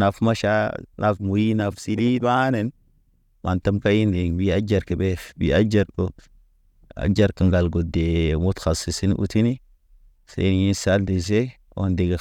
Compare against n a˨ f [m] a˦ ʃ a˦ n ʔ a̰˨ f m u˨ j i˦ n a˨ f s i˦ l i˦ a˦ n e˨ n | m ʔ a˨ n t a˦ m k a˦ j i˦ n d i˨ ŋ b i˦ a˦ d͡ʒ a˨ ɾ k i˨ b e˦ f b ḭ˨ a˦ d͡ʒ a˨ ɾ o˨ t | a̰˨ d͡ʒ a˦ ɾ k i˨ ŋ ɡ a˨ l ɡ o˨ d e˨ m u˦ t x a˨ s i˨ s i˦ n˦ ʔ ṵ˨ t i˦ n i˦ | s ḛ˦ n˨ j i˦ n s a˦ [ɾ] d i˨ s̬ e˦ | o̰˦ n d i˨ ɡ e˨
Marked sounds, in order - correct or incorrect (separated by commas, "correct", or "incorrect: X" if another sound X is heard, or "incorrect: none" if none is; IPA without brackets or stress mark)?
correct, incorrect: l